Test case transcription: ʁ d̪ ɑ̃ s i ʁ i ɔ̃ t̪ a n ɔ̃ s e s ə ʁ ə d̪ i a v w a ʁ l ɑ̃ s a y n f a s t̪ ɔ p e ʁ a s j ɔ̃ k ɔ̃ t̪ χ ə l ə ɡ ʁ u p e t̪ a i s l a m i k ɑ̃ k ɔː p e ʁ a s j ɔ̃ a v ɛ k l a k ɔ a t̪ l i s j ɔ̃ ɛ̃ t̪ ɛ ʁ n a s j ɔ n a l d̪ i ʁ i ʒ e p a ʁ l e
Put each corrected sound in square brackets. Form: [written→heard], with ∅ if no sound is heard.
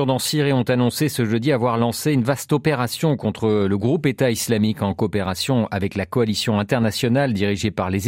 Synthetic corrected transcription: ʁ d̪ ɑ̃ s i ʁ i ɔ̃ t̪ a n ɔ̃ s e s ə [ʁ→ʒ] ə d̪ i a v w a ʁ l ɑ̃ s [a→e] y n [f→v] a s t̪ ɔ p e ʁ a s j ɔ̃ k ɔ̃ t̪ χ ə l ə ɡ ʁ u p e t̪ a i s l a m i k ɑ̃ k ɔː p e ʁ a s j ɔ̃ a v ɛ k l a k ɔ a [t̪→∅] l i s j ɔ̃ ɛ̃ t̪ ɛ ʁ n a s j ɔ n a l d̪ i ʁ i ʒ e p a ʁ l e